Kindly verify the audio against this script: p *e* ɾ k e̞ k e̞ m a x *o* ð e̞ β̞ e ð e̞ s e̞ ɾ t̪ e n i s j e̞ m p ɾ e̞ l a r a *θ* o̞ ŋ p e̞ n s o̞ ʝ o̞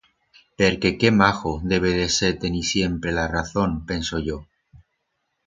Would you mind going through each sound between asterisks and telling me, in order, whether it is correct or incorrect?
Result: correct, correct, correct

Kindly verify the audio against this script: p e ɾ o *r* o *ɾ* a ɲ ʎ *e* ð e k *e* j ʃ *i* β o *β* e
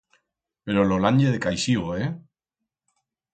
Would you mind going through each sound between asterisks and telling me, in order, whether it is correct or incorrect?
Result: incorrect: l, incorrect: l, correct, incorrect: a, correct, incorrect: none

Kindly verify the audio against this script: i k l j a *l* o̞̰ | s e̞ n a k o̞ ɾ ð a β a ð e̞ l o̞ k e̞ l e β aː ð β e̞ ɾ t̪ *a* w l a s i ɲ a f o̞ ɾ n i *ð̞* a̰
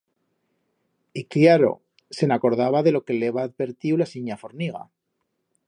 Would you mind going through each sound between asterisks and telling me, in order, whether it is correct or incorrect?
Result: incorrect: ɾ, incorrect: i, incorrect: ɣ̞

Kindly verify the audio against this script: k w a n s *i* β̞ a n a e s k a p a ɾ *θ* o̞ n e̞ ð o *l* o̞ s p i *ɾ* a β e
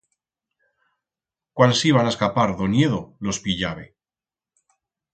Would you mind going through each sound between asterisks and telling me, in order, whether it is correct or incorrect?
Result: correct, incorrect: ð, correct, incorrect: ʎ

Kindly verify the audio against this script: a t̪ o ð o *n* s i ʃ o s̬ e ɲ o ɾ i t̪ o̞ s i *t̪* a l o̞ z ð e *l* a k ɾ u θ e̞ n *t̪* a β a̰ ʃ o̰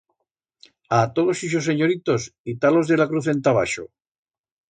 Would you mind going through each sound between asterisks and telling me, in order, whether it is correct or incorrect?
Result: incorrect: none, correct, correct, correct

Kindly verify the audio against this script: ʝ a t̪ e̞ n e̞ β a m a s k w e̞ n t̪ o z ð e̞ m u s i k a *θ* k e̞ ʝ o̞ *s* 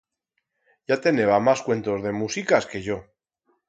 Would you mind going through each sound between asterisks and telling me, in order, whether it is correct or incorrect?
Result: incorrect: s, incorrect: none

